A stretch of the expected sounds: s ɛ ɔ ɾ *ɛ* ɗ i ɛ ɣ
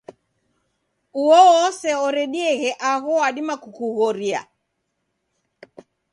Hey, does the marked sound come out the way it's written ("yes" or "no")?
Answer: yes